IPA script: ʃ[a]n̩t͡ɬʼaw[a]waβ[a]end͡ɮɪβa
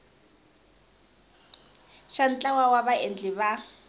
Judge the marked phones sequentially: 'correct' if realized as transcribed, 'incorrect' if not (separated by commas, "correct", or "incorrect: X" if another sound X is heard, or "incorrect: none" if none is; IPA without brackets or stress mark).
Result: correct, correct, correct